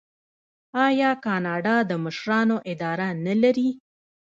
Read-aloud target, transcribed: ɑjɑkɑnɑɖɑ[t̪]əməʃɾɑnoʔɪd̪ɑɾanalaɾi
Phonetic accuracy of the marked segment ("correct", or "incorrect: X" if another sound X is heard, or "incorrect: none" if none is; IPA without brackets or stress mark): incorrect: d̪